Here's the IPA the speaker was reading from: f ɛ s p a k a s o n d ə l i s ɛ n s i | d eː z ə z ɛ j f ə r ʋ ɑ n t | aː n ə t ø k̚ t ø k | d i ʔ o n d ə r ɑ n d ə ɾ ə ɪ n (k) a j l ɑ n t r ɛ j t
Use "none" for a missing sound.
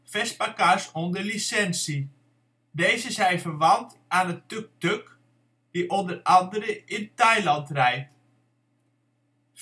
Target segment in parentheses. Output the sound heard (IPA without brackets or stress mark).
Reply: t